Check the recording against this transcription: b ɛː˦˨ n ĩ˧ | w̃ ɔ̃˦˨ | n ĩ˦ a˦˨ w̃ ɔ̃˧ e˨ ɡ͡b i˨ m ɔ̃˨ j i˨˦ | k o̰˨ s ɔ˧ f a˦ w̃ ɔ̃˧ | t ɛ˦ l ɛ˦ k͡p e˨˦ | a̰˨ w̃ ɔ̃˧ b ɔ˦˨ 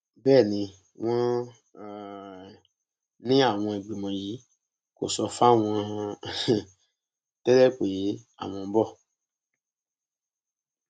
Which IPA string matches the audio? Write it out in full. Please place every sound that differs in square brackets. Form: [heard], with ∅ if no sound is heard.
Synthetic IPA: b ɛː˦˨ n ĩ˧ | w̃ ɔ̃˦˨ | n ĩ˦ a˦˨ w̃ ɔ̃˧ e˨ ɡ͡b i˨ m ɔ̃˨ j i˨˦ | k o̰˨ s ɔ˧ f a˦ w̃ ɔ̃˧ | t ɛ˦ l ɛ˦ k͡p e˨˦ | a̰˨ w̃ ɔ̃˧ b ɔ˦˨